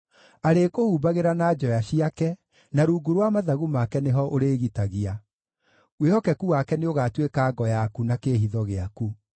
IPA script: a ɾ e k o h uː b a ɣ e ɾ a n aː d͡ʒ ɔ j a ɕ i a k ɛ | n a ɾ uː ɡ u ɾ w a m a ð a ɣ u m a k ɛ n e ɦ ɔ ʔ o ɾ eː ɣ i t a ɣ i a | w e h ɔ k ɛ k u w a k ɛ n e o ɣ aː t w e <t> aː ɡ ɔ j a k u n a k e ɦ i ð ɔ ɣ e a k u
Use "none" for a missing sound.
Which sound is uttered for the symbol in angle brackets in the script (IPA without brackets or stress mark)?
k